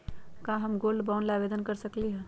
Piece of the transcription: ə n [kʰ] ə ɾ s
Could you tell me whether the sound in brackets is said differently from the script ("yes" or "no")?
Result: yes